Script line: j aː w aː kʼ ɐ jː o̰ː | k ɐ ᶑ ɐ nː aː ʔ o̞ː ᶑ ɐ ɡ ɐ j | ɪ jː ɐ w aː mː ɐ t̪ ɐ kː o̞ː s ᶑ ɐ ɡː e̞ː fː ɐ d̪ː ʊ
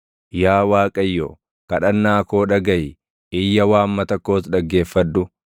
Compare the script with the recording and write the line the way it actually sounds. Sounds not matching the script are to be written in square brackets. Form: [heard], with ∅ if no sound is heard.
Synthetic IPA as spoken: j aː w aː kʼ ɐ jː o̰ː | k ɐ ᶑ ɐ nː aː [k] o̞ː ᶑ ɐ ɡ ɐ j | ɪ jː ɐ w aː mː ɐ t̪ ɐ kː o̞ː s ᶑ ɐ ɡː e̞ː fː ɐ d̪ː ʊ

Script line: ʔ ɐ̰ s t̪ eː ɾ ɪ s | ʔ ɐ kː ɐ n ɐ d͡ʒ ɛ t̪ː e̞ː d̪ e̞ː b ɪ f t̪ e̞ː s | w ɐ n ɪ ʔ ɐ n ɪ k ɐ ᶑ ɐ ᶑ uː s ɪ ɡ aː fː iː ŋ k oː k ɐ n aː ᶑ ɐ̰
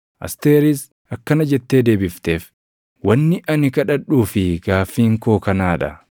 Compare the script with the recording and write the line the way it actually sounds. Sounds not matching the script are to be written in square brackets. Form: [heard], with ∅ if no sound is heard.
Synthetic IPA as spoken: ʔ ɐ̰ s t̪ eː ɾ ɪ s | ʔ ɐ kː ɐ n ɐ d͡ʒ ɛ t̪ː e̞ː d̪ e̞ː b ɪ f t̪ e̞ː [f] | w ɐ [nː] ɪ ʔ ɐ n ɪ k ɐ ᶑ ɐ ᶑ uː [f] ɪ ɡ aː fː iː ŋ k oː k ɐ n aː ᶑ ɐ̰

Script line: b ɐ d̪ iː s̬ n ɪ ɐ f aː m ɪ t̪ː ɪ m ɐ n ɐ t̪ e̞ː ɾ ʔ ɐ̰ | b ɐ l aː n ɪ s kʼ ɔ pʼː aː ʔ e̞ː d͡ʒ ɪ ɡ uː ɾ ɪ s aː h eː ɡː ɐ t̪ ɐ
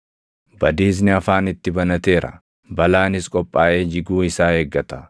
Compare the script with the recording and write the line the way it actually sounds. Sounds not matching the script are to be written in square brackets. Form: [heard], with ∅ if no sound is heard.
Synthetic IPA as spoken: b ɐ d̪ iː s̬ n ɪ ɐ f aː [n] ɪ t̪ː ɪ [b] ɐ n ɐ t̪ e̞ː ɾ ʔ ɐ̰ | b ɐ l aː n ɪ s kʼ ɔ pʼː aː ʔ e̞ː d͡ʒ ɪ ɡ uː [∅] ɪ s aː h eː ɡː ɐ t̪ ɐ

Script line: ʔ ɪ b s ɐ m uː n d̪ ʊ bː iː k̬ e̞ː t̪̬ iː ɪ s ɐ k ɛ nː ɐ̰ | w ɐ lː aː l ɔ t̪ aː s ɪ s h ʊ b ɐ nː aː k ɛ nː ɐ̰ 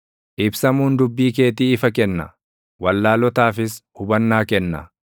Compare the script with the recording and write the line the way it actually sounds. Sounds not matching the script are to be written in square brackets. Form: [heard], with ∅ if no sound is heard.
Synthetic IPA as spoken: ʔ ɪ b s ɐ m uː n d̪ ʊ bː iː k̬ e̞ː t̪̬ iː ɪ [f] ɐ k ɛ nː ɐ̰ | w ɐ lː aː l ɔ t̪ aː [f] ɪ s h ʊ b ɐ nː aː k ɛ nː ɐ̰

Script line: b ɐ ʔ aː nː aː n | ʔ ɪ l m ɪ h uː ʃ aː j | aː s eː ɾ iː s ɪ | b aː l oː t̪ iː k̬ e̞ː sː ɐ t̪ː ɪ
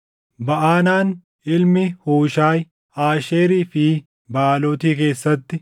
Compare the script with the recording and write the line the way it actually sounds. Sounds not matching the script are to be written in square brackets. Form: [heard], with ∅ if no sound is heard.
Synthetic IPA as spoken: b ɐ ʔ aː [n] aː n | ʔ ɪ l m ɪ h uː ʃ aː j | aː [ʃ] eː ɾ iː [f] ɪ | b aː l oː t̪ iː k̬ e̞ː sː ɐ t̪ː ɪ

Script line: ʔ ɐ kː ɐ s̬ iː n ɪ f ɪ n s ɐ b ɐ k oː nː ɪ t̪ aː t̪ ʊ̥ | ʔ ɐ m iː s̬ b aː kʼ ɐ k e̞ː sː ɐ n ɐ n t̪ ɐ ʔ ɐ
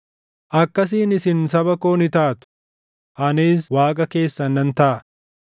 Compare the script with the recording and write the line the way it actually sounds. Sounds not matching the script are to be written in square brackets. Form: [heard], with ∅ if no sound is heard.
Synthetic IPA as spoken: ʔ ɐ kː ɐ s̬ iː n ɪ [s] ɪ n s ɐ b ɐ k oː [n] ɪ t̪ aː t̪ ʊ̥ | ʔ ɐ [n] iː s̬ [w] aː kʼ ɐ k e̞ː sː ɐ n ɐ n t̪ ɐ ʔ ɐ

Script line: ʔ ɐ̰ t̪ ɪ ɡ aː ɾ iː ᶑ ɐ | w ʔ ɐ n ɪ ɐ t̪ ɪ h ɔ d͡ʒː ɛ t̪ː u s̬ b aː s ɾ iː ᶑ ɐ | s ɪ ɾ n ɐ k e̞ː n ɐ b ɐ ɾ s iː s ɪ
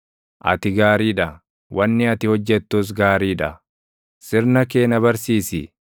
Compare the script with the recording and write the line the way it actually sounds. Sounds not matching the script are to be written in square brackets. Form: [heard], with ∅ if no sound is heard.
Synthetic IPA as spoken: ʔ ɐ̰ t̪ ɪ ɡ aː ɾ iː ᶑ ɐ | w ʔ ɐ [nː] ɪ ɐ t̪ ɪ h ɔ d͡ʒː ɛ t̪ː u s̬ [ɡ] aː [∅] ɾ iː ᶑ ɐ | s ɪ ɾ n ɐ k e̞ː n ɐ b ɐ ɾ s iː s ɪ

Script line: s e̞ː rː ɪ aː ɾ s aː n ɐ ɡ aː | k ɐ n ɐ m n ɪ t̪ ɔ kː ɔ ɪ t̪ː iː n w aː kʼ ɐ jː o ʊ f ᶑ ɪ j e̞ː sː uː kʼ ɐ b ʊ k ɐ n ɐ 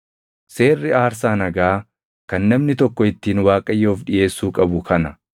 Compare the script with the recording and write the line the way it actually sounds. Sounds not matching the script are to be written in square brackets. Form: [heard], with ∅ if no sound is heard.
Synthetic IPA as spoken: s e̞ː rː ɪ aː ɾ s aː n ɐ ɡ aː | k ɐ [nː] ɐ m n ɪ t̪ ɔ kː ɔ ɪ t̪ː iː n w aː kʼ ɐ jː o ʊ f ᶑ ɪ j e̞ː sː uː kʼ ɐ b ʊ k ɐ n ɐ

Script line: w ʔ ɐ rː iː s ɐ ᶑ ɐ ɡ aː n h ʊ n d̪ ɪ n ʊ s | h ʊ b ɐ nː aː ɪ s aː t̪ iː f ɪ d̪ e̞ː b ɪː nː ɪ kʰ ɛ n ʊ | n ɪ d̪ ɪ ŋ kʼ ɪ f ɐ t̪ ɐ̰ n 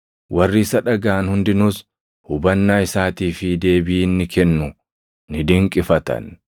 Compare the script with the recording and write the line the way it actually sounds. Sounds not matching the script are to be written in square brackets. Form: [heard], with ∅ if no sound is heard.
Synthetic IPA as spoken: w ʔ ɐ rː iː s ɐ ᶑ ɐ ɡ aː n h ʊ n d̪ ɪ n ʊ s | h ʊ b ɐ nː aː ɪ s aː t̪ iː f ɪ d̪ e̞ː b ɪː nː ɪ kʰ ɛ [nː] ʊ | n ɪ d̪ ɪ ŋ kʼ ɪ f ɐ t̪ ɐ̰ n

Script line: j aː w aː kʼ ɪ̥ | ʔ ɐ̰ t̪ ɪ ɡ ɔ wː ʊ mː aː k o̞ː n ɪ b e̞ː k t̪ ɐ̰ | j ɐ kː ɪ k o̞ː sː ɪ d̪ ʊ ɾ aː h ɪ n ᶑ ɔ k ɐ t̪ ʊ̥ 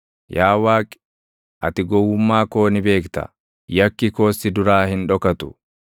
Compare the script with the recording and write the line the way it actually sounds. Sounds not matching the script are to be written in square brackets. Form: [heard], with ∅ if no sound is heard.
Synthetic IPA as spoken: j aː w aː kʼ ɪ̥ | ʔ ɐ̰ t̪ ɪ ɡ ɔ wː ʊ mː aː k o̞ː n ɪ b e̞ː k t̪ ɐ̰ | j ɐ kː ɪ k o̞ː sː ɪ d̪ ʊ ɾ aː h ɪ n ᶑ ɔ k ɐ t̪ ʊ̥

